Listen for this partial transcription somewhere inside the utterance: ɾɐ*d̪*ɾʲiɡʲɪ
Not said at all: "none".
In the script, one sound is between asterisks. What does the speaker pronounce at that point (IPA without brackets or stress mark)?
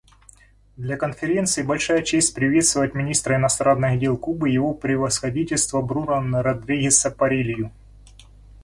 d̪